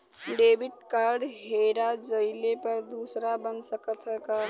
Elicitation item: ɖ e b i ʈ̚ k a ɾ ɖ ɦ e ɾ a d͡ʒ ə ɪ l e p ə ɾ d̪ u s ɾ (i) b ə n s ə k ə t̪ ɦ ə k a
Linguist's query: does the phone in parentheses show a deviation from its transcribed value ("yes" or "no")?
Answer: yes